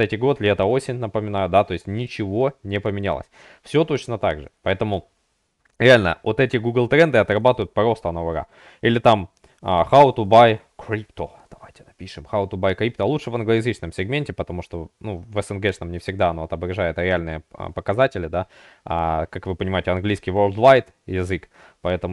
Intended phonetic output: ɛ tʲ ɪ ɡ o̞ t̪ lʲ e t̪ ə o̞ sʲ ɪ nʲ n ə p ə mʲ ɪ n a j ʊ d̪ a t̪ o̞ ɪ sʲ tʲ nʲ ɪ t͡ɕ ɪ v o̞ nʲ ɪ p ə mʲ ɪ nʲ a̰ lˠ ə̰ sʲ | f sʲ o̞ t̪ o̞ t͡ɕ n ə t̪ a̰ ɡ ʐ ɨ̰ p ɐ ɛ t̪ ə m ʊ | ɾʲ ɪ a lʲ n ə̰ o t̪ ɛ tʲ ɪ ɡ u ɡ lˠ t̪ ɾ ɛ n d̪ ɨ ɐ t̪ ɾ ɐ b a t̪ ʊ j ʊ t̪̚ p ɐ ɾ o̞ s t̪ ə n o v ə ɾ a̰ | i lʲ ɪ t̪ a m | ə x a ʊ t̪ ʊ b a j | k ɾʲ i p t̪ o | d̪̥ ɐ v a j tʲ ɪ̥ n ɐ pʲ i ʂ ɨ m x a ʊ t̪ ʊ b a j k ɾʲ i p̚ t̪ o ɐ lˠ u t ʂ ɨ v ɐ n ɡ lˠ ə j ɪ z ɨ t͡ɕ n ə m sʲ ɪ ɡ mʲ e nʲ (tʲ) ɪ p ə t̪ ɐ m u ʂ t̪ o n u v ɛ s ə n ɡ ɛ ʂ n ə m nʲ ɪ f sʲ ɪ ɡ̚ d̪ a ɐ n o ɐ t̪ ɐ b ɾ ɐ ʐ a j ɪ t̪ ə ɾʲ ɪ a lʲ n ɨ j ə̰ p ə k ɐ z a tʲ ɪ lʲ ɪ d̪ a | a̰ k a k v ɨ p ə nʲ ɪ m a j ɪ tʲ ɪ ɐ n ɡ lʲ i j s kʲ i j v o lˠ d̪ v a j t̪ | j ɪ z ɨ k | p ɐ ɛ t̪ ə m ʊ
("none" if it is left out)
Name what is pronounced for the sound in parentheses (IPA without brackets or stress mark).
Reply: tʲ